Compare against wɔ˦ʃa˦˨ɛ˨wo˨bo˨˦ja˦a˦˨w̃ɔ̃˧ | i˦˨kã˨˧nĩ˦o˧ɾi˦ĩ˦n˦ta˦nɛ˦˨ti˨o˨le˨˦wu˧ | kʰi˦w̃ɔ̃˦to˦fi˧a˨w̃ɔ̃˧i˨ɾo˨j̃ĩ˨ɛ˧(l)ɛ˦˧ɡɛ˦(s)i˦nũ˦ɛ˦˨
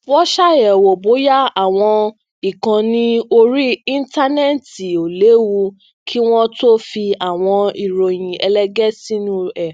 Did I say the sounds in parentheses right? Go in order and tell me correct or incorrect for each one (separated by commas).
correct, correct